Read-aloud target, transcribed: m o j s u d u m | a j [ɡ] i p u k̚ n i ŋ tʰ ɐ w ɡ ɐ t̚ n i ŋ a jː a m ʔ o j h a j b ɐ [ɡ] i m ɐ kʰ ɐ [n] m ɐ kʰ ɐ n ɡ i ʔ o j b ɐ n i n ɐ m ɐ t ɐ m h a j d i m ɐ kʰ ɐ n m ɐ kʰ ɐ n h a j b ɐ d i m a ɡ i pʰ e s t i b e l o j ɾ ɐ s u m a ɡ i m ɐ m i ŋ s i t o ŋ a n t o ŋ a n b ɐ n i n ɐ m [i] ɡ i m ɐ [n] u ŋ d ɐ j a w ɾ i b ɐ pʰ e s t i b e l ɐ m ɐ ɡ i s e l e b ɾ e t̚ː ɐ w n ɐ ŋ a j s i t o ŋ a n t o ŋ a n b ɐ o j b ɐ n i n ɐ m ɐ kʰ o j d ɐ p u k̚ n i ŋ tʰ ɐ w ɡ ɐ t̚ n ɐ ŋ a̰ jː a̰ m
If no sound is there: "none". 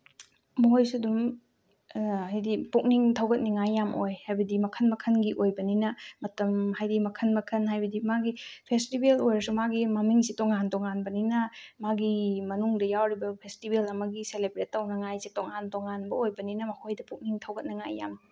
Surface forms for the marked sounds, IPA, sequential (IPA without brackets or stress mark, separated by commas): d, d, n, a, n